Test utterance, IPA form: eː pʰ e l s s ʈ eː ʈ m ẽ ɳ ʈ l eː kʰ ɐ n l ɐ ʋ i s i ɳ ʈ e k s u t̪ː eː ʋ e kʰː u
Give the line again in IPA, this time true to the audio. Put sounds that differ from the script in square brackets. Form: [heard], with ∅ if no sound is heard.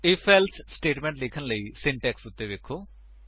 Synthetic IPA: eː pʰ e l s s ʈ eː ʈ m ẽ ɳ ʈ l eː kʰ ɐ n l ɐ [∅] i s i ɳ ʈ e k s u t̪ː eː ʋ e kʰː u